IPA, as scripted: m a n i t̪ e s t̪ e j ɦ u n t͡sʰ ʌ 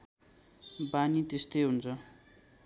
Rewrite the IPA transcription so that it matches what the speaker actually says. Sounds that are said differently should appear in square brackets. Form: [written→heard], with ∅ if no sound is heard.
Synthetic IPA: [m→b] a n i t̪ e s t̪ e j ɦ u n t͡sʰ ʌ